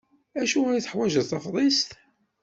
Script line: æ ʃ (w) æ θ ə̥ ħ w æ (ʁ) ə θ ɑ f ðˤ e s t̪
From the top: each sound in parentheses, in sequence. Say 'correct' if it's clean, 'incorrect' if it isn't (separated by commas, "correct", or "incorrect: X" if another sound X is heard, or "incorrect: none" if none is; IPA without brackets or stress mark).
incorrect: u, incorrect: ʒ